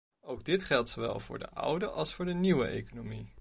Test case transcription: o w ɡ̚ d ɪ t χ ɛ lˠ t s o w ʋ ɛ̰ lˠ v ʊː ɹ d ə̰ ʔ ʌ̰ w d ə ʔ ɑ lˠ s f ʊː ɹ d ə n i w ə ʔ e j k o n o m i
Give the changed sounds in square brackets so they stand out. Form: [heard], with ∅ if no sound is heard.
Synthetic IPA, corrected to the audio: o w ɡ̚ d ɪ t χ ɛ lˠ t s o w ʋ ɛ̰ lˠ v ʊː ɹ d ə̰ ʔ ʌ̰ w d ə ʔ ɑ lˠ s f ʊː ɹ d ə n i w ə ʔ e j k o n o m i

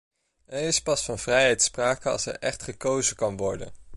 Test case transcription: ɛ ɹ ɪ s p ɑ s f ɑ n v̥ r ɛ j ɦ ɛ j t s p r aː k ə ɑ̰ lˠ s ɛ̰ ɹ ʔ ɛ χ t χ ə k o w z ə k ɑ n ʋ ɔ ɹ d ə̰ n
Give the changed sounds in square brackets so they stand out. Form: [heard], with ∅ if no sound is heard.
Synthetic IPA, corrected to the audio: ɛ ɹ ɪ s p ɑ s f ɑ n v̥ r ɛ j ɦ ɛ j t s p r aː k ə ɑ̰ lˠ s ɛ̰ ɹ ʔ ɛ χ t χ ə k o w z ə k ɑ n ʋ ɔ ɹ d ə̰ n

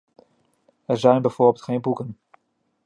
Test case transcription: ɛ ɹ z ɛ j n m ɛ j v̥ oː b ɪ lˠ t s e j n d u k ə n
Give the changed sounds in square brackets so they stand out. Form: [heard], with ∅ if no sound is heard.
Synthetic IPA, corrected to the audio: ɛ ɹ z ɛ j n [b] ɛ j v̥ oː b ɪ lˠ t [χ] e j n [b] u k ə n

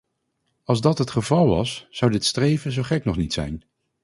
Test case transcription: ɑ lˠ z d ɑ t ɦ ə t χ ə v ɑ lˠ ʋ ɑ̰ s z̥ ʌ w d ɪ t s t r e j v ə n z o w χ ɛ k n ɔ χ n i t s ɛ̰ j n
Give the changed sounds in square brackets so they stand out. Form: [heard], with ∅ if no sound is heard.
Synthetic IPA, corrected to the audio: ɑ lˠ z d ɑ t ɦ ə t χ ə v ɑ lˠ ʋ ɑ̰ s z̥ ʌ w d ɪ t s t r e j v ə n z o w χ ɛ k n ɔ χ n i t s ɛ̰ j n

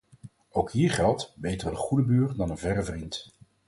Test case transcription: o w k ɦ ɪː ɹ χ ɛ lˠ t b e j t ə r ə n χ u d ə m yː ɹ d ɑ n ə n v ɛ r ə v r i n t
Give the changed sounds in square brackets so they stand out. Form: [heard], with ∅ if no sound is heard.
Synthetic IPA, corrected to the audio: o w k ɦ [iː] ɹ χ ɛ lˠ t b e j t ə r ə n χ u d ə [b] yː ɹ d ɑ n ə n v ɛ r ə v r i n t

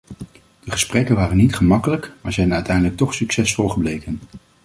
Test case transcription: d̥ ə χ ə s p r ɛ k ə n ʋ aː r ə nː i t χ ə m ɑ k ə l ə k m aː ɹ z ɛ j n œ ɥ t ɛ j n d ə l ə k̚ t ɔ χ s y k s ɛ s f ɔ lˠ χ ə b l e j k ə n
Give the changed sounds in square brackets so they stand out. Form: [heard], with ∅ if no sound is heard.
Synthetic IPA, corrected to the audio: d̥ ə χ ə s p r ɛ k ə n ʋ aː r ə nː i t χ ə m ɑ k ə l ə k m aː ɹ z ɛ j n œ ɥ t ɛ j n d ə l ə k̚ t ɔ χ s y k s ɛ s f ɔ lˠ χ ə b l e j k ə n

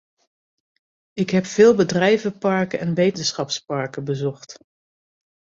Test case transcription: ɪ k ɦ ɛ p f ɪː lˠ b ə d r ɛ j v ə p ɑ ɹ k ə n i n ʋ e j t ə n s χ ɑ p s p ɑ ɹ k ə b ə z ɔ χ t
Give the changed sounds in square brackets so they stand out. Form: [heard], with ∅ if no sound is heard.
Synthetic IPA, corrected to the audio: ɪ k ɦ ɛ p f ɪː lˠ b ə d r ɛ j v ə p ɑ ɹ k ə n [ɛ] n ʋ e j t ə n s χ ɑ p s p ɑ ɹ k ə b ə z ɔ χ t

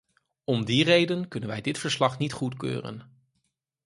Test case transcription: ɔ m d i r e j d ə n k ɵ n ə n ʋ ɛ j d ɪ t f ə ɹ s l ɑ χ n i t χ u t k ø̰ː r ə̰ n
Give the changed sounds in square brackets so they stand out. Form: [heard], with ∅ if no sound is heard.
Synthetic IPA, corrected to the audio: ɔ m d i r e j d ə n k ɵ n ə n ʋ ɛ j d ɪ t f ə ɹ s l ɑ χ n i t χ u t k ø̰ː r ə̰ n

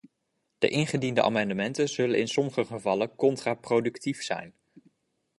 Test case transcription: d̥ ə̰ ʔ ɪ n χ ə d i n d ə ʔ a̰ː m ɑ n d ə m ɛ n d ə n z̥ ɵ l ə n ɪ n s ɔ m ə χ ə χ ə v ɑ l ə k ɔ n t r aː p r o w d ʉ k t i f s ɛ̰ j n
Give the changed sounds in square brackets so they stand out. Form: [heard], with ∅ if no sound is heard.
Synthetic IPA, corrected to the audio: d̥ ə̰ ʔ ɪ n χ ə d i n d ə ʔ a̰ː m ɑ n d ə m ɛ n [t] ə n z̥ ɵ l ə n ɪ n s ɔ m ə χ ə χ ə v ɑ l ə k ɔ n t r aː p r o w d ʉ k t i f s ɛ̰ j n

